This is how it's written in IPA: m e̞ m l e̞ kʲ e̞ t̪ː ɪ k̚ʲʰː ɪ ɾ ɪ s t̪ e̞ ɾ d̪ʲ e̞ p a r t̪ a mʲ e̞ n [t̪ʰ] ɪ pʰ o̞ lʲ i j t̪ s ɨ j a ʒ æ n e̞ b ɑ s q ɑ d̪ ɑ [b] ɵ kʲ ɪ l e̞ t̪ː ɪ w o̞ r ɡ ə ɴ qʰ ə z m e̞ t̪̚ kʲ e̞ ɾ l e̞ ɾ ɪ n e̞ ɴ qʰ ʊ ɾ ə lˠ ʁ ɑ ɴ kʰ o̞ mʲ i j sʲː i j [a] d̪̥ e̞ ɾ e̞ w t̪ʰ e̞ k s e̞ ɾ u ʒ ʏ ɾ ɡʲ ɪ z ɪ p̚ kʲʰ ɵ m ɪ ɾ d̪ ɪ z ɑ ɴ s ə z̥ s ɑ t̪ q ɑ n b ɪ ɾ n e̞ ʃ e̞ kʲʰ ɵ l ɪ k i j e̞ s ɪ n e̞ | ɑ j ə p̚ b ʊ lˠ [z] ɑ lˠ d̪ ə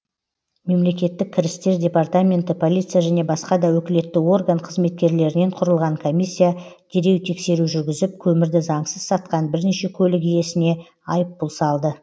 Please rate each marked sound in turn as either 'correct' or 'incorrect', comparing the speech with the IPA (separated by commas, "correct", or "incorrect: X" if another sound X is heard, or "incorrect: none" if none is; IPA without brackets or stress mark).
incorrect: t̪, incorrect: w, correct, incorrect: s